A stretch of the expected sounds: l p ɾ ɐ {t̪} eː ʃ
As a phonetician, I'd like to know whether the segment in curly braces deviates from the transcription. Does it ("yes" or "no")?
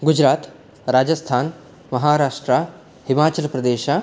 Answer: yes